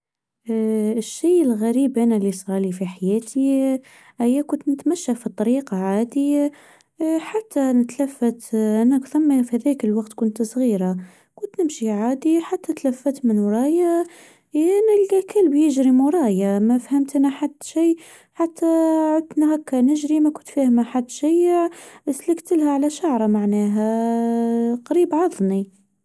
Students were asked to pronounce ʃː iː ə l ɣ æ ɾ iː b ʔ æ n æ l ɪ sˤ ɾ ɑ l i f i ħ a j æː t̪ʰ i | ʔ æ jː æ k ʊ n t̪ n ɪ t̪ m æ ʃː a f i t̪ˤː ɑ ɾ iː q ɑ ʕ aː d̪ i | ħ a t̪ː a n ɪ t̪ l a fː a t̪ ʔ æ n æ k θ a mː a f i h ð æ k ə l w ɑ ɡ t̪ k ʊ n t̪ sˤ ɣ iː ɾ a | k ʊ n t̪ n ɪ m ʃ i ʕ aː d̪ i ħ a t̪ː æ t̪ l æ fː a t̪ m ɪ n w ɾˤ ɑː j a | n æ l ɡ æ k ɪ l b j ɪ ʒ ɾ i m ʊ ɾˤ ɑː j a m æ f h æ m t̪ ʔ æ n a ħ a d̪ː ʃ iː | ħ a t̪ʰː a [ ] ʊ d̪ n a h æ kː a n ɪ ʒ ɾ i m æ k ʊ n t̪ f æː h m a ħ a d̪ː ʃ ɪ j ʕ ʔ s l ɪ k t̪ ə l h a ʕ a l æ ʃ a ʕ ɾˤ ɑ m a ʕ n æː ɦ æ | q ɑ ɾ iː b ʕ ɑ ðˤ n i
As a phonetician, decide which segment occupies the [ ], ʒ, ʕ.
ʕ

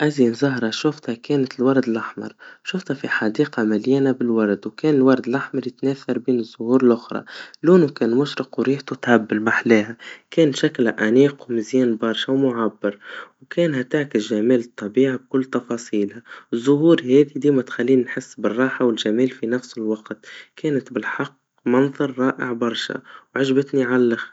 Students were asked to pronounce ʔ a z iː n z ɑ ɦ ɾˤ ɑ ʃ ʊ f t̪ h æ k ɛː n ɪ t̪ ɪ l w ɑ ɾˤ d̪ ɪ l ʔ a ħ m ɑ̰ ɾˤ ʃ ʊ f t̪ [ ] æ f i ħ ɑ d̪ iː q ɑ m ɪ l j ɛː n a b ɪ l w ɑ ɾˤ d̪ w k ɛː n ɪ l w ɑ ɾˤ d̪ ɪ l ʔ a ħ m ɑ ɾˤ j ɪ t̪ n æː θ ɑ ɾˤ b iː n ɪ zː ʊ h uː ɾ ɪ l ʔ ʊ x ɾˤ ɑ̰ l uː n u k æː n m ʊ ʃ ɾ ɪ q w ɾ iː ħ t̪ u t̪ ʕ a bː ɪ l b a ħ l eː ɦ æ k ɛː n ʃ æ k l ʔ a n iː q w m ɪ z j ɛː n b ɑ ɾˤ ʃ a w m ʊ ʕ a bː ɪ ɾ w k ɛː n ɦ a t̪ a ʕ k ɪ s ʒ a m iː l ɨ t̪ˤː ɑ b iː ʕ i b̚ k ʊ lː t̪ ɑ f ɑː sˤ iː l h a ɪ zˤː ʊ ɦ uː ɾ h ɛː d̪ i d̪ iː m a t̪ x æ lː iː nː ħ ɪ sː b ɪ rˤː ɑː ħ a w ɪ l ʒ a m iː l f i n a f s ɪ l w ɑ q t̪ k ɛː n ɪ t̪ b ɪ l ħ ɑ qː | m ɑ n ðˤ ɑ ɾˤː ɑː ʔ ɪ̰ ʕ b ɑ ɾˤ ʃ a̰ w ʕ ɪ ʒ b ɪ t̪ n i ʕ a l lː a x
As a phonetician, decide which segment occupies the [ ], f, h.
h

